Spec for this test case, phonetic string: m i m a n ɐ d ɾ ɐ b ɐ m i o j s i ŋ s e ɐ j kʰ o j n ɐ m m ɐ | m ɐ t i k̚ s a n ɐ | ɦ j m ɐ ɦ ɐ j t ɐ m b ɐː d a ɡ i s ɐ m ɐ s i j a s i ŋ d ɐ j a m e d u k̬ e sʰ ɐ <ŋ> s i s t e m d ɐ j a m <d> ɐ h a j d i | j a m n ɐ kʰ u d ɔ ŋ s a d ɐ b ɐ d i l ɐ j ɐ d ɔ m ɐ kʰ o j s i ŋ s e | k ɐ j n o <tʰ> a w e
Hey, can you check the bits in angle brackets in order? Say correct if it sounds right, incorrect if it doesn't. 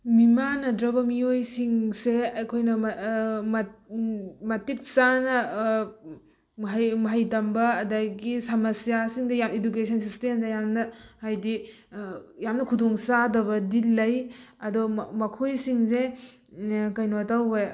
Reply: incorrect: n, incorrect: n, incorrect: t

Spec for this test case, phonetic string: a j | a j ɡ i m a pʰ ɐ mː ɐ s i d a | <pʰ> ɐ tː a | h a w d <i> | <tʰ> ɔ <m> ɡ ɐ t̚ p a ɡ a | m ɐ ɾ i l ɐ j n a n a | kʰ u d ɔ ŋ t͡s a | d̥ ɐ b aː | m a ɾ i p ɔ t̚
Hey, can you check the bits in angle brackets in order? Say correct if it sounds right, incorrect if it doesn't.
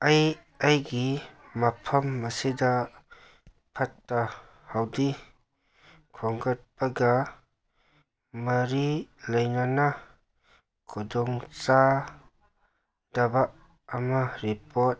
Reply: correct, correct, incorrect: kʰ, incorrect: ŋ

